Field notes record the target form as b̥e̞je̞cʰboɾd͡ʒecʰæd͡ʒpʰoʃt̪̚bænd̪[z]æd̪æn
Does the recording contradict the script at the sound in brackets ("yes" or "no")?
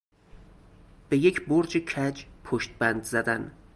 no